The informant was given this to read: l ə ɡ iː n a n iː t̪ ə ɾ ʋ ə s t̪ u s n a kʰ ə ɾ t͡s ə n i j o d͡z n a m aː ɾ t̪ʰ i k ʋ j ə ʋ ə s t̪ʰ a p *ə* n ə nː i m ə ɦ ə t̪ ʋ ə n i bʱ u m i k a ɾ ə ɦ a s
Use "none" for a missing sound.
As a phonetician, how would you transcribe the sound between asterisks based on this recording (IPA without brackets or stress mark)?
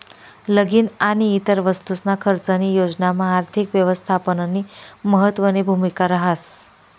ə